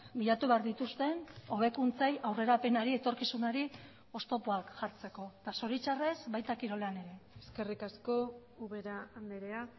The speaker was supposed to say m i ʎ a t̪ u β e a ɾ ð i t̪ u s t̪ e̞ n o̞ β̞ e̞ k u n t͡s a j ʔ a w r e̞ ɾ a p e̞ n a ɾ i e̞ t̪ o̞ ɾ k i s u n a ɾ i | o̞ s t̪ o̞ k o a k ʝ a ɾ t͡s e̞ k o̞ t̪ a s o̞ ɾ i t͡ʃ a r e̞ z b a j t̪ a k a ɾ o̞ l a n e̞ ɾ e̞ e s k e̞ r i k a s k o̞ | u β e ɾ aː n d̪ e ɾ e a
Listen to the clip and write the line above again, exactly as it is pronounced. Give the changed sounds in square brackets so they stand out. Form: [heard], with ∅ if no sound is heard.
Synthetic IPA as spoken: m i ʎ a t̪ u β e a ɾ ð i t̪ u s t̪ e̞ n o̞ β̞ e̞ k u n t͡s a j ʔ a w r e̞ ɾ a p e̞ n a ɾ i e̞ t̪ o̞ ɾ k i s u n a ɾ i | o̞ s t̪ o̞ [p] o a k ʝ a ɾ t͡s e̞ k o̞ t̪ a s o̞ ɾ i t͡ʃ a r e̞ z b a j t̪ a k [i] ɾ o̞ l a n e̞ ɾ e̞ e s k e̞ r i k a s k o̞ | u β e ɾ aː n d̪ e ɾ e a